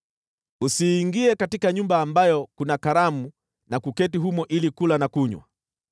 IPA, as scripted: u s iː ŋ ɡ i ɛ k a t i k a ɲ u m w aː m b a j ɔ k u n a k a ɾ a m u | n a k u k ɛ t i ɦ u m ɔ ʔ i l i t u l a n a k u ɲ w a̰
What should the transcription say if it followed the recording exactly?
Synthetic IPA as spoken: u s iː ŋ ɡ i ɛ k a t i k a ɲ u m b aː m b a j ɔ k u n a k a ɾ a m u | n a k u k ɛ t i ɦ u m ɔ ʔ i l i k u l a n a k u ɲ w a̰